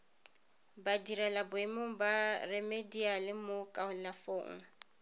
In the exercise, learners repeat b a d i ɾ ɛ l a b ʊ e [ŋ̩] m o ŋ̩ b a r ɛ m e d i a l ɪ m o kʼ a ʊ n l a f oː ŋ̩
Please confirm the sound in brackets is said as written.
no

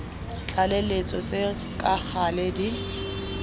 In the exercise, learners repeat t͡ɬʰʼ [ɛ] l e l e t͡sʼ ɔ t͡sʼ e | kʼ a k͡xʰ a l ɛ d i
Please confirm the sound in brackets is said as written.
no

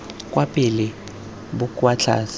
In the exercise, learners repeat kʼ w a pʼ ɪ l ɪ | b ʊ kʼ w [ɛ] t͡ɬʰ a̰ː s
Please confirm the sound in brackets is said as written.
no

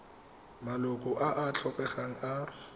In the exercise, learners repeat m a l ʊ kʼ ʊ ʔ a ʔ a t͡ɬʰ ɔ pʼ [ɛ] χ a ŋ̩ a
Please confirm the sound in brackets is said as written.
yes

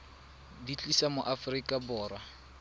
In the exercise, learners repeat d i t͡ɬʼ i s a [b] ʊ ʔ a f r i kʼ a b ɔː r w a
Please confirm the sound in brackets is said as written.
no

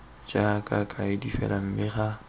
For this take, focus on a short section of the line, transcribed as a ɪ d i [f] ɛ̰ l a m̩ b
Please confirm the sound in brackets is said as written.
yes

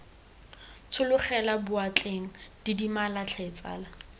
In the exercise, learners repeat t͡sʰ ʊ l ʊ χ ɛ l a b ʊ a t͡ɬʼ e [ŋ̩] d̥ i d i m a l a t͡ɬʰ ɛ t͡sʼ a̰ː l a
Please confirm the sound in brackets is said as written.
yes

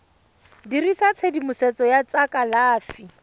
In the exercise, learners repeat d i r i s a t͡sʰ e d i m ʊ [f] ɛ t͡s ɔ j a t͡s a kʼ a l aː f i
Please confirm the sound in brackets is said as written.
no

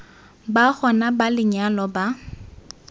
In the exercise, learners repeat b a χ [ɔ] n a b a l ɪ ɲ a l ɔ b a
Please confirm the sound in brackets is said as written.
yes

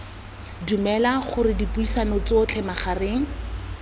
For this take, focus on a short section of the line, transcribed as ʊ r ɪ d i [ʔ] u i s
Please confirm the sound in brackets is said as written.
no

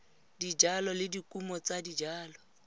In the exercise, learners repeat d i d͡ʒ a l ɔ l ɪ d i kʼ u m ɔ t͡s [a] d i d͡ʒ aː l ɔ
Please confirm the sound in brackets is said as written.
yes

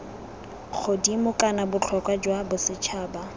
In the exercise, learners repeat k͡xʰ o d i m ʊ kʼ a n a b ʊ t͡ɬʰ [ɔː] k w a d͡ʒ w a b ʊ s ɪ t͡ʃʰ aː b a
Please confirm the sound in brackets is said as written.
no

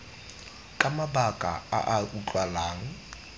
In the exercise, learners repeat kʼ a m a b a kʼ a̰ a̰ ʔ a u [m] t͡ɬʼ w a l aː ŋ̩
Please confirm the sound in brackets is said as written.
no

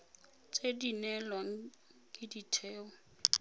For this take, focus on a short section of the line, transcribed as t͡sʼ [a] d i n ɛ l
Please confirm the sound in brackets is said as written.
no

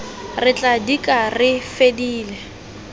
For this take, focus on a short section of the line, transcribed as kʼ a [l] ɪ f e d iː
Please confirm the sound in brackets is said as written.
no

